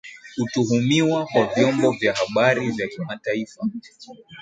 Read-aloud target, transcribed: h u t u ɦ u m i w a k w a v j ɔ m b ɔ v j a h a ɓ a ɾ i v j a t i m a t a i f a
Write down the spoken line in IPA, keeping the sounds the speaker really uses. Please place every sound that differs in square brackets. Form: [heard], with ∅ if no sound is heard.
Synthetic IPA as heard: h u t u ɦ u m i w a k w a v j ɔ m b ɔ v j a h a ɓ a ɾ i v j a [k] i m a t a i f a

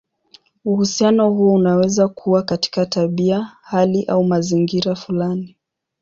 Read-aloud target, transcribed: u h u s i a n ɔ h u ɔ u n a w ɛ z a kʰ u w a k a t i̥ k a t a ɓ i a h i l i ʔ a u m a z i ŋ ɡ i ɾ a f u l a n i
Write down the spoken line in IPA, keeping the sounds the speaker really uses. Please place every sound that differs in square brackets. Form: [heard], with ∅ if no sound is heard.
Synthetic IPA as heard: u h u s i a n ɔ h u ɔ u n a w ɛ z a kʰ u w a k a t i̥ k a t a ɓ i a h [a] l i ʔ a u m a z i ŋ ɡ i ɾ a f u l a n i

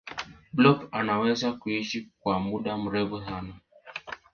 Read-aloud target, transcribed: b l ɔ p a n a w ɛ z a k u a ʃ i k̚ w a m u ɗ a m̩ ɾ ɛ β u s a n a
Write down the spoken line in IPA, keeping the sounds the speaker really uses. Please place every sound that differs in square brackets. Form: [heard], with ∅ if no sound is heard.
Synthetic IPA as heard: b l ɔ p a n a w ɛ z a k u [i] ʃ i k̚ w a m u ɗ a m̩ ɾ ɛ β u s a n a

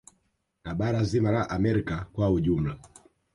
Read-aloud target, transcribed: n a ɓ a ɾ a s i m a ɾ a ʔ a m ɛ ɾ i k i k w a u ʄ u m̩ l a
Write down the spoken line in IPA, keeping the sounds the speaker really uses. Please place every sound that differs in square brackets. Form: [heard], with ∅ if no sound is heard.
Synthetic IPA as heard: n a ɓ a ɾ a [z] i m a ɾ a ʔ a m ɛ ɾ i k [a] k w a u ʄ u m̩ l a

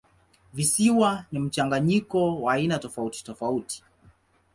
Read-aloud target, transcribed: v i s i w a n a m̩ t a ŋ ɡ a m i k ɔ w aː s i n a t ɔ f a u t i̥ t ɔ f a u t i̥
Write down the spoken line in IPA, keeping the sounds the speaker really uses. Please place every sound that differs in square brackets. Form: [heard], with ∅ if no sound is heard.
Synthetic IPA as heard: v i s i w a n [i] m̩ [t͡ʃ] a ŋ ɡ a [ɲ] i k ɔ w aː [∅] i n a t ɔ f a u t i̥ t ɔ f a u t i̥

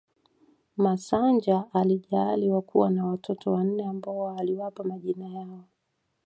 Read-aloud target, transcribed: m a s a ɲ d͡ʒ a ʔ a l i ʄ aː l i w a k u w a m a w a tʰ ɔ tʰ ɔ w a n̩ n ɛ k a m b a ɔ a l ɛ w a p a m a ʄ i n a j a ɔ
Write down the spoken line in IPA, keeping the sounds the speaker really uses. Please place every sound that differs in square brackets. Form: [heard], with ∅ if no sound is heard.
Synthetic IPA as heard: m a s a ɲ d͡ʒ a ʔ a l i ʄ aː l i w a k u w a [n] a w a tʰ ɔ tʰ ɔ w a n̩ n ɛ [∅] a m b a ɔ a l [i] w a p a m a ʄ i n a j a ɔ

